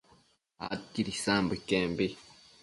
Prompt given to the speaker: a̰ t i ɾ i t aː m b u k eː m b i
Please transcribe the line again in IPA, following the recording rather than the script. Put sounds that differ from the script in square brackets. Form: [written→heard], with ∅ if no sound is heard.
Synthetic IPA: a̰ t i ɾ i [t→s] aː m b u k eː m b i